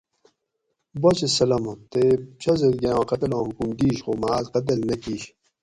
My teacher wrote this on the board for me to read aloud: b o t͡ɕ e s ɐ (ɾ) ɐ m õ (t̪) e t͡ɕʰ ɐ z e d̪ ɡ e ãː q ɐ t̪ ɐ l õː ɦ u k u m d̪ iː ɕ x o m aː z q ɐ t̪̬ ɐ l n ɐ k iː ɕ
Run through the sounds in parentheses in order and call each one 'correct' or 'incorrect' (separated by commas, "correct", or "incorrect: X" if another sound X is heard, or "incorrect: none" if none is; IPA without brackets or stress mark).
incorrect: l, correct